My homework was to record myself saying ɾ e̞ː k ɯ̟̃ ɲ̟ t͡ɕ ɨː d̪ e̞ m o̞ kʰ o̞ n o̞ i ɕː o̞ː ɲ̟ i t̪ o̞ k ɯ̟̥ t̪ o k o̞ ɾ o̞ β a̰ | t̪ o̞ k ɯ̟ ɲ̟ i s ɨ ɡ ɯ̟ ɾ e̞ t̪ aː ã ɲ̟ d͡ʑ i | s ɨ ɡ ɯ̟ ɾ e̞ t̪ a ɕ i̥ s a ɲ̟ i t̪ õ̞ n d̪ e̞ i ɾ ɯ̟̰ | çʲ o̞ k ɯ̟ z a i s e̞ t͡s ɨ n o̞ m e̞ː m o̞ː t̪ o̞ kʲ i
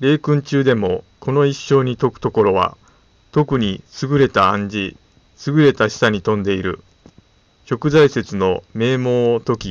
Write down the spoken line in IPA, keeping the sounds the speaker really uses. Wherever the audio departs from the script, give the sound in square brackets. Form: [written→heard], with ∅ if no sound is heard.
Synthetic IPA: ɾ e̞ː k ɯ̟̃ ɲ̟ t͡ɕ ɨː d̪ e̞ m o̞ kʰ o̞ n o̞ i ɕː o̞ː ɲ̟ i t̪ o̞ k ɯ̟̥ t̪ o k o̞ ɾ o̞ β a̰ | t̪ o̞ k ɯ̟ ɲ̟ i s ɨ ɡ ɯ̟ ɾ e̞ t̪ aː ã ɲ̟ d͡ʑ i | s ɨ ɡ ɯ̟ ɾ e̞ t̪ a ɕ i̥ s a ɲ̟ i t̪ õ̞ n d̪ e̞ i ɾ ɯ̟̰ | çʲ o̞ k ɯ̟ z a i s e̞ t͡s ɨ n o̞ m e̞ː m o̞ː t̪ o̞ kʲ i